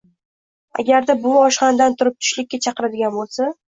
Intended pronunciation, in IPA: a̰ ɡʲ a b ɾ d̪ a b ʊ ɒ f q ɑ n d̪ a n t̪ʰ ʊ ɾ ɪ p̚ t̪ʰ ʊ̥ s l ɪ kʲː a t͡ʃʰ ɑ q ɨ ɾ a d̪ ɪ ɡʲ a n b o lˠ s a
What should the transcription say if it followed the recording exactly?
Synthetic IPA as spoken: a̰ ɡʲ a ɾ d̪ a b ʊ ɒ ʃ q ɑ n d̪ a n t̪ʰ ʊ ɾ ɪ p̚ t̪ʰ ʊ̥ ʃ l ɪ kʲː a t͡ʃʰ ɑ q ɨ ɾ a d̪ ɪ ɡʲ a n b o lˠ s a